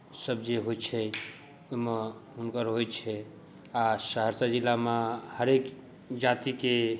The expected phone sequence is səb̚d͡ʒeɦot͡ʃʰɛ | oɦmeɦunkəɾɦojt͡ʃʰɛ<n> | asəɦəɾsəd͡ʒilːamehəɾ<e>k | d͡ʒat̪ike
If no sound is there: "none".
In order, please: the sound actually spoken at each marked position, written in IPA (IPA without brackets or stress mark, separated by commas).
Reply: none, e